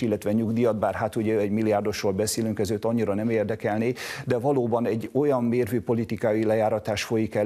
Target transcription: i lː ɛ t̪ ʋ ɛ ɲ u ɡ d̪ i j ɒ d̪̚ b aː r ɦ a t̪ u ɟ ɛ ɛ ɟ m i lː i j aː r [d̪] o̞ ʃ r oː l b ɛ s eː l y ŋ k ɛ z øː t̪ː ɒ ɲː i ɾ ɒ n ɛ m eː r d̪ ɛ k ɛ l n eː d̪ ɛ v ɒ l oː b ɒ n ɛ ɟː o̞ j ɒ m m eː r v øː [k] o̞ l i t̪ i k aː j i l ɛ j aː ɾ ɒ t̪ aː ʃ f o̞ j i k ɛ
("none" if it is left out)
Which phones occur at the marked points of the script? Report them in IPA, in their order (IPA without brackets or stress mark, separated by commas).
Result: d̪, p